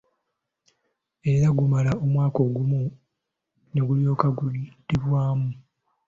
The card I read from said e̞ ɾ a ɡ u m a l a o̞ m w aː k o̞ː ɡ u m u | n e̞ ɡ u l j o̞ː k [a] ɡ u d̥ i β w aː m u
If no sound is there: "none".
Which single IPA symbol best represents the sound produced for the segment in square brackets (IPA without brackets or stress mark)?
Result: a